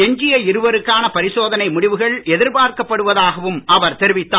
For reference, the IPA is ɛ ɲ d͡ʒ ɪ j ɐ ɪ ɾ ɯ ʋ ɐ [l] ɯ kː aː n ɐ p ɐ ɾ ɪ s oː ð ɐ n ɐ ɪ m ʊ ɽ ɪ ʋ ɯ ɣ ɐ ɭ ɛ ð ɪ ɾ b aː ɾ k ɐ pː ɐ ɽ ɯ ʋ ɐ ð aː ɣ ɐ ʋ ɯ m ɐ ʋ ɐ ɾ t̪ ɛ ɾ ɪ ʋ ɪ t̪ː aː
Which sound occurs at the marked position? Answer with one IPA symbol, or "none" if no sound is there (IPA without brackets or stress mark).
ɾ